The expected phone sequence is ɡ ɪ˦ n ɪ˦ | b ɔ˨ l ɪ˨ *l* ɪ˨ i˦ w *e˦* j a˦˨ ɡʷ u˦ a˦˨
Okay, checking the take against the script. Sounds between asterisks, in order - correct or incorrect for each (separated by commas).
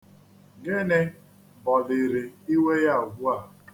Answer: incorrect, correct